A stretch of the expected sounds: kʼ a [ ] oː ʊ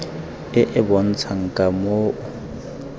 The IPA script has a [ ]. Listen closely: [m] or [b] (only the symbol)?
m